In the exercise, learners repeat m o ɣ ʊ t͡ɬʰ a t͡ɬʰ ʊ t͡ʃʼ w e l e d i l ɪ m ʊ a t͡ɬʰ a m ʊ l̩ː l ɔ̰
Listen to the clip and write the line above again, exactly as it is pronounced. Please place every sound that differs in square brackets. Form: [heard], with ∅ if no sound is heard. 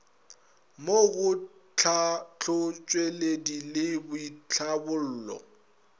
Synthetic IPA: m o ɣ ʊ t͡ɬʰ a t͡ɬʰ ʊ t͡ʃʼ w e l e d i l ɪ [b] ʊ [i] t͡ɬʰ a [b] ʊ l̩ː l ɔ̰